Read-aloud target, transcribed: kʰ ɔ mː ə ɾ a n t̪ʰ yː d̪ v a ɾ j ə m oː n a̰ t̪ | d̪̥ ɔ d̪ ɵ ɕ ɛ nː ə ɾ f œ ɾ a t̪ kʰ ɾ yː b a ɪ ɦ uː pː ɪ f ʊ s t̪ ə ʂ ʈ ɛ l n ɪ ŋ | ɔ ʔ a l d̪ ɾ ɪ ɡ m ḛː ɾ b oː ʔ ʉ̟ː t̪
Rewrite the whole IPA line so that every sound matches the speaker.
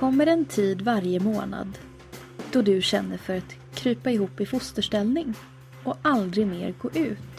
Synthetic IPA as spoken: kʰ ɔ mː ə ɾ ɛ n t̪ʰ iː d̪ v a ɾ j ə m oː n a̰ d̪ | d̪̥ ɔ d̪ ɵ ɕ ɛ nː ə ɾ f œ ɾ a t̪ kʰ ɾ yː p a ɪ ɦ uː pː ɪ f ʊ s t̪ ə ʂ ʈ ɛ l n ɪ ŋ | ɔ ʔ a l d̪ ɾ ɪ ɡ m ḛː ɾ ɡ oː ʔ ʉ̟ː t̪